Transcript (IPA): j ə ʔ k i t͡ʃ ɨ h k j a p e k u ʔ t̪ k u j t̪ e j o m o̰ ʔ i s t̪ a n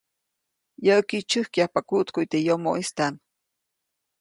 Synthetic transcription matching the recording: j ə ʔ k i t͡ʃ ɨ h k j a p a k u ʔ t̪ k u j t̪ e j o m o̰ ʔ i s t̪ a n